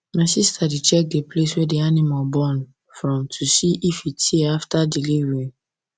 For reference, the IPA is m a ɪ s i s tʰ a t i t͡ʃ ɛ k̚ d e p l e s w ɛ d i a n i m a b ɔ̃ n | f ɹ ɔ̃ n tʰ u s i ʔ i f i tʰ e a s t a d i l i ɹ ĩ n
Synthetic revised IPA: m a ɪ s i s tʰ a d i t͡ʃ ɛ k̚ d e p l e s w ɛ d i a n i m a b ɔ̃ n | f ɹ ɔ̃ m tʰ u s i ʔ i f i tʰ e a f t a d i l i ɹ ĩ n